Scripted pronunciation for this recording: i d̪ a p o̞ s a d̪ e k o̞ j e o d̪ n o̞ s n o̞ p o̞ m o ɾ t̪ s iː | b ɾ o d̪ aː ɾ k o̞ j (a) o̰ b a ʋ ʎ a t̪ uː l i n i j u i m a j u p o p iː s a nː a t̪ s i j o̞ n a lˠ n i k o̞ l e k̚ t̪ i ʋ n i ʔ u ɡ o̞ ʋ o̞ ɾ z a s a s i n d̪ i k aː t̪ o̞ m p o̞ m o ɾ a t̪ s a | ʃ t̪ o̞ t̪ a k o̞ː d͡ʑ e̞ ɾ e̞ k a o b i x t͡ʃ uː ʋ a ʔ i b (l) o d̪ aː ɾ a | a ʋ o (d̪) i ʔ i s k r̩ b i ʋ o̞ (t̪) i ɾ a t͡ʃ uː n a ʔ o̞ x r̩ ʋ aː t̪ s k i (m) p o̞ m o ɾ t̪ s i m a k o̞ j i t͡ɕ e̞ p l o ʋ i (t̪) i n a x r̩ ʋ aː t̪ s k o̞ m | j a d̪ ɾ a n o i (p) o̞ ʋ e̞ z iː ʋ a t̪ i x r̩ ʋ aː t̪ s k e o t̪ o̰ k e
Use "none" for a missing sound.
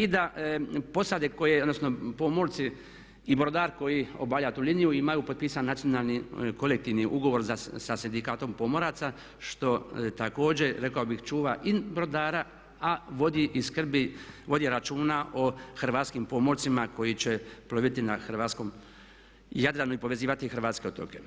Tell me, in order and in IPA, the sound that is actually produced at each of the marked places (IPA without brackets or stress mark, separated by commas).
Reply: i, ɾ, d̪, d̪, m, t̪, p